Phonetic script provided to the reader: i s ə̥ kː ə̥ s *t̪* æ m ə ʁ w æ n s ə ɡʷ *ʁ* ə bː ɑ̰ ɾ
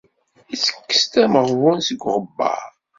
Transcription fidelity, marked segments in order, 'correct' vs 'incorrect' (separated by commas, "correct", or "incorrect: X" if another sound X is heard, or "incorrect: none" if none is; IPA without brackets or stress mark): correct, correct